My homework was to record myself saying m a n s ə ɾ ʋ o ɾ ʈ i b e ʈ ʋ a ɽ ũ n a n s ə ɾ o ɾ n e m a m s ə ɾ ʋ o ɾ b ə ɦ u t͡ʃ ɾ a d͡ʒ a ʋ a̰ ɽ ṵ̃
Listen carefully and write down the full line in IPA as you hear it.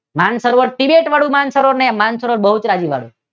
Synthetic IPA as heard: m a n s ə ɾ ʋ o ɾ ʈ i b e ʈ ʋ a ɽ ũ m a n s ə ɾ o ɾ n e m a n s ə ɾ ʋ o ɾ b ə ɦ u t͡ʃ ɾ a d͡ʒ i ʋ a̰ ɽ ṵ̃

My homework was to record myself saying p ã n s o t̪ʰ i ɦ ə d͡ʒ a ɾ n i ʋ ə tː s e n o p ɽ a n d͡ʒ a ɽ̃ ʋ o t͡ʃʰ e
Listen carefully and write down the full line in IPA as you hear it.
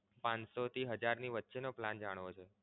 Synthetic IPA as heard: p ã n s o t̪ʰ i ɦ ə d͡ʒ a ɾ n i ʋ ə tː ʃ e n o p l a n d͡ʒ a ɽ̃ ʋ o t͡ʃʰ e

